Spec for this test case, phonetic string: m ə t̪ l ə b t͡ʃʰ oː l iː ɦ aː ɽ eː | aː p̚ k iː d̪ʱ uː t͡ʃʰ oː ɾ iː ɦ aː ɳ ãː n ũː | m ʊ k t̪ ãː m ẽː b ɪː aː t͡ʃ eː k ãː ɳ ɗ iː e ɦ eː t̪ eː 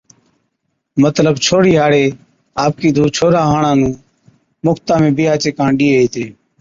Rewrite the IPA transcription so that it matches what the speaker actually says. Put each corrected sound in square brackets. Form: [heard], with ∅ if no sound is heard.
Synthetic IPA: m ə t̪ l ə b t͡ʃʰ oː [ɽ] iː ɦ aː ɽ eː | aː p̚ k iː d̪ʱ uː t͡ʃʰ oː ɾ [aː] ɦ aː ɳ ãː n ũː | m ʊ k t̪ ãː m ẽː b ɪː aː t͡ʃ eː k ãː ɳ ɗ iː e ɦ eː t̪ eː